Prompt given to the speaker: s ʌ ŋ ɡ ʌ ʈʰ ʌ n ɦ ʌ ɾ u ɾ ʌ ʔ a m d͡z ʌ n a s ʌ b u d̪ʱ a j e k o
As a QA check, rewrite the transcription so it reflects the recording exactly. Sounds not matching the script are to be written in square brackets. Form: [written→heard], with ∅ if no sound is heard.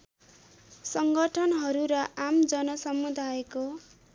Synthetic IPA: s ʌ ŋ ɡ ʌ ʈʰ ʌ n ɦ ʌ ɾ u ɾ ʌ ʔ a m d͡z ʌ n [a→ʌ] s ʌ [b→m] u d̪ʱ a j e k o